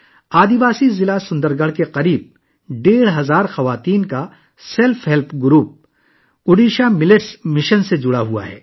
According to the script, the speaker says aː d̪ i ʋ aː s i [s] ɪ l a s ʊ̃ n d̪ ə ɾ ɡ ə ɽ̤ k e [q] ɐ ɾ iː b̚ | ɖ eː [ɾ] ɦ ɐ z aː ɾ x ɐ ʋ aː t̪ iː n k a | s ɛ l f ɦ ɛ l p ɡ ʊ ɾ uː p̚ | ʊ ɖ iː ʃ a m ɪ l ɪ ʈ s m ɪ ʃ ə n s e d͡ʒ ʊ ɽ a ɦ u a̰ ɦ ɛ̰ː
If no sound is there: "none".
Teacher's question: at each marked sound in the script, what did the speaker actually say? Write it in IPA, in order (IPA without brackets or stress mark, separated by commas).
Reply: z, q, ɽ